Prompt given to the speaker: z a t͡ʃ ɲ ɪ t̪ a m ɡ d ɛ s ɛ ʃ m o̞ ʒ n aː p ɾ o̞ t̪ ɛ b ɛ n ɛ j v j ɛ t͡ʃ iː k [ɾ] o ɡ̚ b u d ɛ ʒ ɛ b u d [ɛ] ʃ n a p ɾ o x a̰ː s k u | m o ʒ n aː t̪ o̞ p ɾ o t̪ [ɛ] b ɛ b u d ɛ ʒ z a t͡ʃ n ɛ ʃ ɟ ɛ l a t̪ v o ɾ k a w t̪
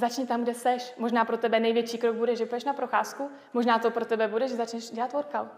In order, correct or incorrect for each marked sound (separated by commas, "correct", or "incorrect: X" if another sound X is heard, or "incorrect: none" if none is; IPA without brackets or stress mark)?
correct, correct, correct